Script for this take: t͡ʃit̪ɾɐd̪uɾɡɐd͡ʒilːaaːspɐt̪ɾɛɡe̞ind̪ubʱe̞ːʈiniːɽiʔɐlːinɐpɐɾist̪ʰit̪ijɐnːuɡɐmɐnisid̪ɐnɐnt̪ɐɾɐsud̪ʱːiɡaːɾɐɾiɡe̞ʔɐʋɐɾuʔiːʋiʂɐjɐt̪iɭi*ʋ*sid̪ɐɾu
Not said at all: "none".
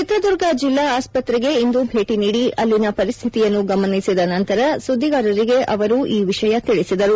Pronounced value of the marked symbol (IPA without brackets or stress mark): none